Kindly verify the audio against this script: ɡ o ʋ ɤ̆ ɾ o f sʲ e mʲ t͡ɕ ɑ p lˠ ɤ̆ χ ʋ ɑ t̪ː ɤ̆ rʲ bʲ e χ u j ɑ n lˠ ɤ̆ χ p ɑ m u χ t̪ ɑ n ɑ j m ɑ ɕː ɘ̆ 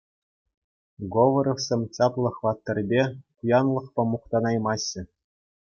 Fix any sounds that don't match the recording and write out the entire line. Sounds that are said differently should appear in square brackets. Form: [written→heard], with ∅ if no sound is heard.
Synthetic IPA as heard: ɡ o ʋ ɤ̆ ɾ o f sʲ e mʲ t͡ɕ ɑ p lˠ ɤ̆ χ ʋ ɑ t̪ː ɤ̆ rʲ bʲ e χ u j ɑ n lˠ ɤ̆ χ p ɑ m u χ t̪ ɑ n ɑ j m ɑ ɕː ɘ̆